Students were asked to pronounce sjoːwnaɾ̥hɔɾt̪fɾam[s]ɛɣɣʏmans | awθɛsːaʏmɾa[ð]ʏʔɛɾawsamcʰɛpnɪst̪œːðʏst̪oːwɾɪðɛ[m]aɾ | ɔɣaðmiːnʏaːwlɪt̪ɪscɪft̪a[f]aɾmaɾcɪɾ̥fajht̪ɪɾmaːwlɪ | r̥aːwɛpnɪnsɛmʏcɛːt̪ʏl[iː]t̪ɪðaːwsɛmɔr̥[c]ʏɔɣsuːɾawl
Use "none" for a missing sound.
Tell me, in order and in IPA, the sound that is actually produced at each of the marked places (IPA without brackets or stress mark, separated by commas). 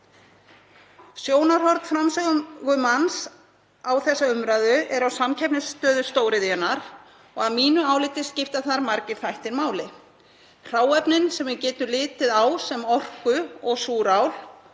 s, ð, n, θ, ɪː, k